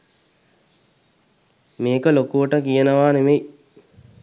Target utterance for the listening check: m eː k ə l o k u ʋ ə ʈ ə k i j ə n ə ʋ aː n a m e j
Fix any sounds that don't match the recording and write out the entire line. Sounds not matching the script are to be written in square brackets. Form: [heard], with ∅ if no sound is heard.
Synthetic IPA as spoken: m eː k ə l o k u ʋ ə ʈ ə k i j ə n ə ʋ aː n [e] m e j